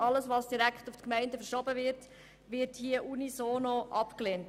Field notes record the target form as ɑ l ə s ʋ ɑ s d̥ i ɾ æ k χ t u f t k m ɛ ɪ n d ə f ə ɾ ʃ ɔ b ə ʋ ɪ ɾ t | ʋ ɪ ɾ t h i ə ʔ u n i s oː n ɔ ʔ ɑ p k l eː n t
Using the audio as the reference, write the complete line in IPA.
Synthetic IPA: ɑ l ə s ʋ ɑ s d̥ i ɾ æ k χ t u f t k m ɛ ɪ n d ə f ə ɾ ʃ ɔ b ə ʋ ɪ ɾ t | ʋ ɪ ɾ t h i ə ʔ u n i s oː n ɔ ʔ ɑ p k l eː n t